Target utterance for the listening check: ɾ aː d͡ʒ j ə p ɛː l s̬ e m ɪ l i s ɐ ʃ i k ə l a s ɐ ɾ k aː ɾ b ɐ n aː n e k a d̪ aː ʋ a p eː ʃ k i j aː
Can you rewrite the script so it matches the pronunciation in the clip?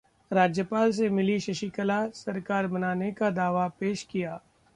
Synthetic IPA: ɾ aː d͡ʒ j ə p aː l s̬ e m ɪ l i ʃ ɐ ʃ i k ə l a s ɐ ɾ k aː ɾ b ɐ n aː n e k a d̪ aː ʋ a p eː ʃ k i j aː